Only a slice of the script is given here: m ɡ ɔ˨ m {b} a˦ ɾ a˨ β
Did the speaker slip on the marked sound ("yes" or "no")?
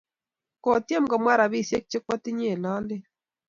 yes